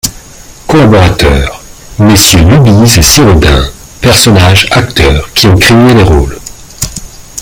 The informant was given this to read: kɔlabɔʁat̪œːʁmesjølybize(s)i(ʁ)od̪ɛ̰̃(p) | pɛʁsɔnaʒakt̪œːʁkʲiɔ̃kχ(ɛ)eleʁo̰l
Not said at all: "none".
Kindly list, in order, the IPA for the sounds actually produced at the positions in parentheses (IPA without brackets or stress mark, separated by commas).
s, ʁ, none, e